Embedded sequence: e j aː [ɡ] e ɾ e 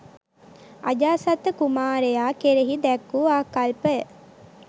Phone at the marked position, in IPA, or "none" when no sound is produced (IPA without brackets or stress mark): k